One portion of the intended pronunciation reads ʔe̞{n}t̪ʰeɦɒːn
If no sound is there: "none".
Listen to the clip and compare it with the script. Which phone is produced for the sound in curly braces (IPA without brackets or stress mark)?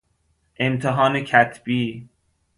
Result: m